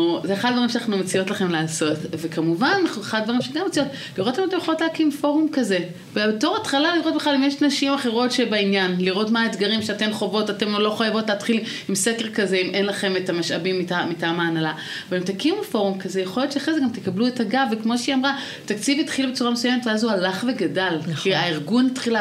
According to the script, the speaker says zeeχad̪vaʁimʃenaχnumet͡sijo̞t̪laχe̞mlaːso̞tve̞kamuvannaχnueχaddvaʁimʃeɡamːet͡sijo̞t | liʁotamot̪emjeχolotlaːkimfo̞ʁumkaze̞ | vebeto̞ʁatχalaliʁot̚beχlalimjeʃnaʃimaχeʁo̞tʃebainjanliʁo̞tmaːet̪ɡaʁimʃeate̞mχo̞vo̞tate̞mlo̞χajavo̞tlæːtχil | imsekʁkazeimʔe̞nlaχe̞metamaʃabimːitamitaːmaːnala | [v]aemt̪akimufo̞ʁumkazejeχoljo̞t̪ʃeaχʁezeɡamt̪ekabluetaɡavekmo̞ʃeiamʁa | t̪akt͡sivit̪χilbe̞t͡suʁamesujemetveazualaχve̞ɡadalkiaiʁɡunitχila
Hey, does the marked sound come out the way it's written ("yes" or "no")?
yes